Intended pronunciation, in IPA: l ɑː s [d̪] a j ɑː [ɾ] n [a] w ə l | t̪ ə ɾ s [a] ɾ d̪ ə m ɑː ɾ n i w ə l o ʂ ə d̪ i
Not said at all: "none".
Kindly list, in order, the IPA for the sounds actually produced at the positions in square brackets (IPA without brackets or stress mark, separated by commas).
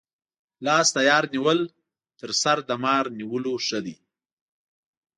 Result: t̪, ɾ, i, a